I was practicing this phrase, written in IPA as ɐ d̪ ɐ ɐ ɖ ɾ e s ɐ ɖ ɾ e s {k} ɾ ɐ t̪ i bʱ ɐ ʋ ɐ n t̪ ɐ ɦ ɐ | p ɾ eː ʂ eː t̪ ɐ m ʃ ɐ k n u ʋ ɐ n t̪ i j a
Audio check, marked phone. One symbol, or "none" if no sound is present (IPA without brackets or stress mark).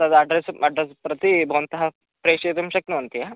p